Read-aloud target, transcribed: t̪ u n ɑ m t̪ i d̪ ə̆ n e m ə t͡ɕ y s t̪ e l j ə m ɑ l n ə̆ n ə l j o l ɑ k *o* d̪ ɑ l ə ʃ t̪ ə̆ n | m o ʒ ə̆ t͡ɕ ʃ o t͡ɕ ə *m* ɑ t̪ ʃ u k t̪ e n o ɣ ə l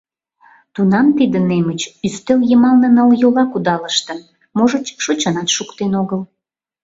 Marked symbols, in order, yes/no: no, no

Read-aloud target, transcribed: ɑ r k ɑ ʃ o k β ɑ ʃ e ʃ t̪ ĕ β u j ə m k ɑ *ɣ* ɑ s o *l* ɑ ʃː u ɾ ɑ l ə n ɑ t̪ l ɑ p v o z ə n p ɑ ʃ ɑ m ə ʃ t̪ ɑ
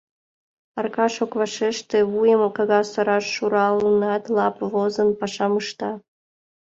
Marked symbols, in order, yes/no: yes, no

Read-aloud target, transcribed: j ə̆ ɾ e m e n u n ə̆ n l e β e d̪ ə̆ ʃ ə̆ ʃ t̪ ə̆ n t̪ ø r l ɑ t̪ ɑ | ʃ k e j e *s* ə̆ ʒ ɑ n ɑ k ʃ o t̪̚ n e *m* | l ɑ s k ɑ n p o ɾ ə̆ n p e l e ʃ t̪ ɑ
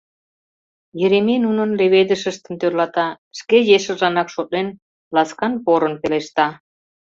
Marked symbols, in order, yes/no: no, no

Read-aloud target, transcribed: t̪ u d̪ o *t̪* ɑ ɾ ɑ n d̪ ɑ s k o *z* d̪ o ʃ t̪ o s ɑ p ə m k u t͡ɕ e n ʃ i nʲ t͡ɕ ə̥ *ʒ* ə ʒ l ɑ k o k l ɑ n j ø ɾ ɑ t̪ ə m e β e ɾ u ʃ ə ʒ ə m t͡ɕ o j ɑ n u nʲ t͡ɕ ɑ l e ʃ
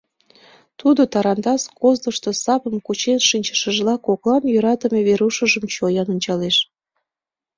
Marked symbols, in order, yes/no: yes, yes, no

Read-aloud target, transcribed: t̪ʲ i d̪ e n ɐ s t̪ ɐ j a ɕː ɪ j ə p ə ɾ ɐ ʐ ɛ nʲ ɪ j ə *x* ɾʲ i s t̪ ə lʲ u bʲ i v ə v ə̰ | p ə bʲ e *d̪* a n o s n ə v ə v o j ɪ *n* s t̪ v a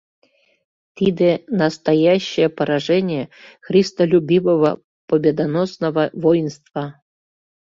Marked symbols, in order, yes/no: yes, yes, yes

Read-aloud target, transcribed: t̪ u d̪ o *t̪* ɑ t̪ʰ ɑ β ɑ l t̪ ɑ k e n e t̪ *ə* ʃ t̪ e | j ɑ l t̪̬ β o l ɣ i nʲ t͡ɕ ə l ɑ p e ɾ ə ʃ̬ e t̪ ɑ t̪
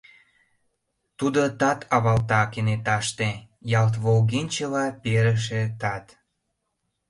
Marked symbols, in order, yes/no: yes, no

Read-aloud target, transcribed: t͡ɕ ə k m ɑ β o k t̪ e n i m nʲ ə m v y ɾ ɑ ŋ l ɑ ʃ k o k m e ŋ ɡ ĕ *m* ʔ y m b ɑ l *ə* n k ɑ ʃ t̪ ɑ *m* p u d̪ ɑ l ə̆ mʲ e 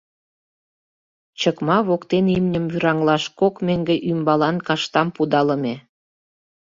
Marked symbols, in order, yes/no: no, no, yes

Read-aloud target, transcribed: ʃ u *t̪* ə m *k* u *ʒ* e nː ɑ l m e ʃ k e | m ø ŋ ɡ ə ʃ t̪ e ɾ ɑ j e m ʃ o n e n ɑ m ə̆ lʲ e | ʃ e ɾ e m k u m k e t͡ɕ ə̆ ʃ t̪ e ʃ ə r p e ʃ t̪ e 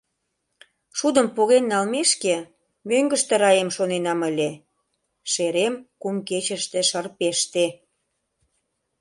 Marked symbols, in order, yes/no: no, no, no

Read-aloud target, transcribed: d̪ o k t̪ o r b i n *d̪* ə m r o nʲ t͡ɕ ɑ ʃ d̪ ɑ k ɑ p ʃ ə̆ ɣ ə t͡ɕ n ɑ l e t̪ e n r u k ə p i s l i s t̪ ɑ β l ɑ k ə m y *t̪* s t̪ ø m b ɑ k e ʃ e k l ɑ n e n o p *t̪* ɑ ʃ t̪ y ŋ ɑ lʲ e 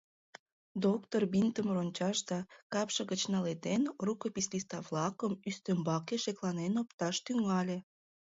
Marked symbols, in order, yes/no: no, no, yes

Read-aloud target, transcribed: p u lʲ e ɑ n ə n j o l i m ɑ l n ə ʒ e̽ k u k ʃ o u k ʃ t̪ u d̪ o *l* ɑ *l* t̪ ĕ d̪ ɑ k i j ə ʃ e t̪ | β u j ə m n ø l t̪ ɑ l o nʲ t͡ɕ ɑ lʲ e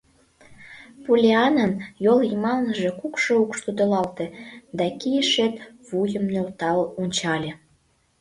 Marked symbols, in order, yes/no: yes, yes

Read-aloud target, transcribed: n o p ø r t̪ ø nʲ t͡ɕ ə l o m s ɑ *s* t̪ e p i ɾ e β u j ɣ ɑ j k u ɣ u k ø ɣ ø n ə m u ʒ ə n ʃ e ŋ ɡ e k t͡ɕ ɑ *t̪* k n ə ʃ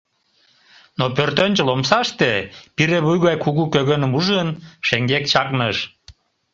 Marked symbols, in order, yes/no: no, no

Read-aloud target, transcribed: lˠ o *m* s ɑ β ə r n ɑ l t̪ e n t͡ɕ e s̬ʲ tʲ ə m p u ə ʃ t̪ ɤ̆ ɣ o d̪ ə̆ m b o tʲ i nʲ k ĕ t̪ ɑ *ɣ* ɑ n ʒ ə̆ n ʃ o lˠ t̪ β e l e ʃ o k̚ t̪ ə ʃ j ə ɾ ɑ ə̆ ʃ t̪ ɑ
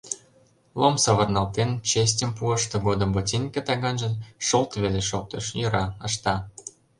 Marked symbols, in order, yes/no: yes, yes

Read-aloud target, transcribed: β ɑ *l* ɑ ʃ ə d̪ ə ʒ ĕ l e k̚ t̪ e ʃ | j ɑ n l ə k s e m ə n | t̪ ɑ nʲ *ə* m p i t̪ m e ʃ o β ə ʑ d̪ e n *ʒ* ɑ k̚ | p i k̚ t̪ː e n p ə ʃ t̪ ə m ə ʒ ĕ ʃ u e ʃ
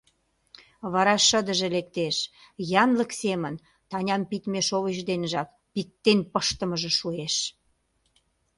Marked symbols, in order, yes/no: no, no, yes

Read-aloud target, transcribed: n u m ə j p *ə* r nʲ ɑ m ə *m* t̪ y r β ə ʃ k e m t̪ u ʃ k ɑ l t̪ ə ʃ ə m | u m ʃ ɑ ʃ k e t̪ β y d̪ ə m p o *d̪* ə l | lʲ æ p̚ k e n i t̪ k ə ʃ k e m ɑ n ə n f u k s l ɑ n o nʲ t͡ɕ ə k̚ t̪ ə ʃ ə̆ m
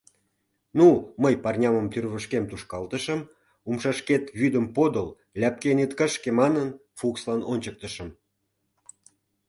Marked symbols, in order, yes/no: no, yes, yes

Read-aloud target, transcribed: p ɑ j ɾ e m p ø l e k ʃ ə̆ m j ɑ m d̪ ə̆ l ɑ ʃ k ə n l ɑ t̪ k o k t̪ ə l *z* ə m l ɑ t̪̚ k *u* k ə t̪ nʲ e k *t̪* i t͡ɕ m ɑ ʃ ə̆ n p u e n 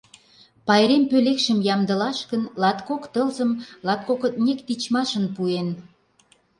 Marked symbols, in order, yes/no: yes, no, yes

